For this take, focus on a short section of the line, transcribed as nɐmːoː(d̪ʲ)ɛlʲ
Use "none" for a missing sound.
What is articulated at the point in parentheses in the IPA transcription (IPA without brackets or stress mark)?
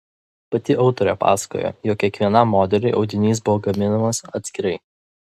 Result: d̪ʲ